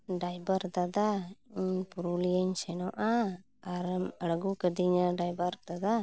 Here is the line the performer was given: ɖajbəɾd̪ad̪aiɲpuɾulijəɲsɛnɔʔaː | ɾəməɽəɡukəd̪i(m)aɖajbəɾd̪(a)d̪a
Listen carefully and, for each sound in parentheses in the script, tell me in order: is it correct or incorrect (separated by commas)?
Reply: incorrect, correct